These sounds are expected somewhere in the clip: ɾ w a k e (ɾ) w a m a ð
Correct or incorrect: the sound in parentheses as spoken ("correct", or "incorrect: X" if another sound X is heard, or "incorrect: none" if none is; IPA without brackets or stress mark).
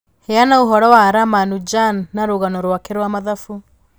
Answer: correct